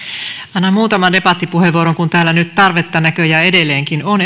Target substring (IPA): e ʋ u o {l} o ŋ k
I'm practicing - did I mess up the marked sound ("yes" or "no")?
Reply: yes